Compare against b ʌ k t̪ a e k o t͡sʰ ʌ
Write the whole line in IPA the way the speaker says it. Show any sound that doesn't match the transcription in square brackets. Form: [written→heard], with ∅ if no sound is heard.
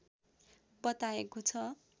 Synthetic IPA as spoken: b ʌ [k→∅] t̪ a e k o t͡sʰ ʌ